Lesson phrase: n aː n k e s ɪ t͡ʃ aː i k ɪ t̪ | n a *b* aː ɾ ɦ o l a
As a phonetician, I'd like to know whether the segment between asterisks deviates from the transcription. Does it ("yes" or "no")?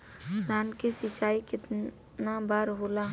no